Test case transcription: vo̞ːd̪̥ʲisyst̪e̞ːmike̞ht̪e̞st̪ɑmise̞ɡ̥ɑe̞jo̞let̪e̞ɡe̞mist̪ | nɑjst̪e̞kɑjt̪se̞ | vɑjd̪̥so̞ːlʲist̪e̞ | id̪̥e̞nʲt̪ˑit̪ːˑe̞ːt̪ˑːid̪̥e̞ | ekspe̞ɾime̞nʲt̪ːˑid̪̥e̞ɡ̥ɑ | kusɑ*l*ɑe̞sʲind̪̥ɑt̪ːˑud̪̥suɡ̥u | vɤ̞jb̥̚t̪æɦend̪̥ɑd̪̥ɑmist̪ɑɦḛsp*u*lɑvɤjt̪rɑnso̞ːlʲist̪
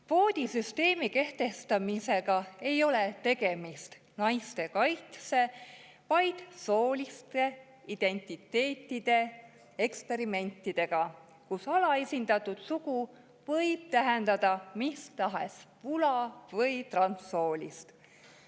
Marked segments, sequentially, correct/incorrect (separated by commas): correct, correct